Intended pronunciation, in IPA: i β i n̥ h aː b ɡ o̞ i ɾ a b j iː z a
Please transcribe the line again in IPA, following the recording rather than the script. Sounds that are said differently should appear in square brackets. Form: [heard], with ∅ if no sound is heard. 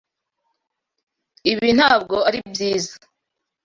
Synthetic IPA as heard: i β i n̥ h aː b ɡ o̞ [a] ɾ [i] b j iː z a